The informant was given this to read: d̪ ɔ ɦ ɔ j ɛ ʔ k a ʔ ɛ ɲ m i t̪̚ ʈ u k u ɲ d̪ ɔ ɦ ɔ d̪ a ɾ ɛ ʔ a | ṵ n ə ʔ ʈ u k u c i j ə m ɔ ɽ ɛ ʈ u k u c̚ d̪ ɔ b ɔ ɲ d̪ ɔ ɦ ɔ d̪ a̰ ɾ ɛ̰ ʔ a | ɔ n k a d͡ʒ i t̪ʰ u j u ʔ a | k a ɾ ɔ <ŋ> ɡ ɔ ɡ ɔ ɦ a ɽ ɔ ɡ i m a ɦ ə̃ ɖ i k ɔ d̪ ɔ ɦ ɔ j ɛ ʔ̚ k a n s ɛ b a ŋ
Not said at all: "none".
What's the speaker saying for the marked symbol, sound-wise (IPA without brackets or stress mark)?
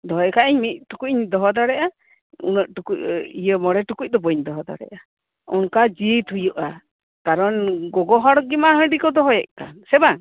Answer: n